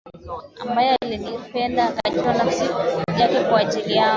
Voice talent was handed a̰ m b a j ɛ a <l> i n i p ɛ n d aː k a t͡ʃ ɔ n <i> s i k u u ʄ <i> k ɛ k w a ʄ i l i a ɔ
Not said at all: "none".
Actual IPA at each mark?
l, a, a

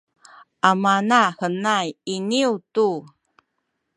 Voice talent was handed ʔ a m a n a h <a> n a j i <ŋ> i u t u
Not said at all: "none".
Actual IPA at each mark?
ə, n

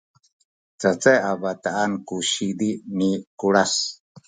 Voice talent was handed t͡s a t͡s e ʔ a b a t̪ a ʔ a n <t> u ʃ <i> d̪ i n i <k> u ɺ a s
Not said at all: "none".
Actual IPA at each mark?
k, i, k

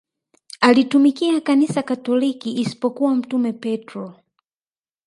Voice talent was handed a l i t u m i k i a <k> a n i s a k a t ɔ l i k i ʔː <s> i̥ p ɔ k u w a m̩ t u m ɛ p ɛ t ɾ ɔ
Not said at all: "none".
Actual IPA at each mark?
k, s

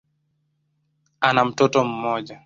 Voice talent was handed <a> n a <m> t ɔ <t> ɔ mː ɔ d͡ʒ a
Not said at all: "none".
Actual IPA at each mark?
a, m, t

